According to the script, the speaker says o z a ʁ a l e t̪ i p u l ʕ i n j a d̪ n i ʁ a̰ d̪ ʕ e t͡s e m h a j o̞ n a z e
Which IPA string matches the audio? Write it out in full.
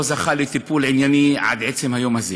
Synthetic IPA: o z a χ a l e t̪ i p u l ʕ i n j a n i ʕ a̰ d̪ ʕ e t͡s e m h a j o̞ m a z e

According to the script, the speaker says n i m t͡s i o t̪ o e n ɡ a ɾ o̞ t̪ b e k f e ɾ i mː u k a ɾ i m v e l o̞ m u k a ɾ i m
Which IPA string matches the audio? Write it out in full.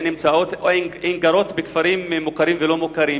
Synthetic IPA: n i m t͡s a o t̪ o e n ɡ a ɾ o̞ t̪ b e k f a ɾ i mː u k a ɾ i m v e l o̞ m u k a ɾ i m

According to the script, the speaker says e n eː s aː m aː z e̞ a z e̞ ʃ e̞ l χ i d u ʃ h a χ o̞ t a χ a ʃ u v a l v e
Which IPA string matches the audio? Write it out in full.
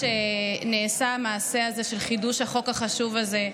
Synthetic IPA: e n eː s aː m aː s e̞ a z e̞ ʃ e̞ l χ i d u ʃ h a χ o̞ k a χ a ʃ u v a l z e

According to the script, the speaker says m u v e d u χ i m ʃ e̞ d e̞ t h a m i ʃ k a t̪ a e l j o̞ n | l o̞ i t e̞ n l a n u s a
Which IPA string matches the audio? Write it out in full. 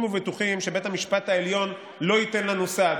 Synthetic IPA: m u v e t u χ i m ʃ e̞ b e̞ t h a m i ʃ p a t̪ a e l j o̞ n | l o̞ i t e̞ n l a n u s a

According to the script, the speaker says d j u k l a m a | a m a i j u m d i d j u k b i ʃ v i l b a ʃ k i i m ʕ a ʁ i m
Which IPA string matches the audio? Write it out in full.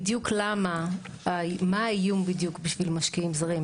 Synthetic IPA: d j u k l a m a | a m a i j u m b i d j u k b i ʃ v i l m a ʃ k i i m z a ʁ i m

